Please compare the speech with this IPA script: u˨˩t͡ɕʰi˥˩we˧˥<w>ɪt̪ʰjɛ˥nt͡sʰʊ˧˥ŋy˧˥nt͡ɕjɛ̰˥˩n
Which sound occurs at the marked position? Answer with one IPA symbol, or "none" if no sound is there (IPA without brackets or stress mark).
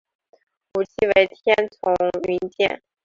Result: none